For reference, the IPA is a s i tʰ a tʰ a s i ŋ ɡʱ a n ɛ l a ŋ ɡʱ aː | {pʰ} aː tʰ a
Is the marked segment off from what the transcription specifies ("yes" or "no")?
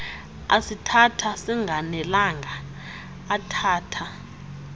yes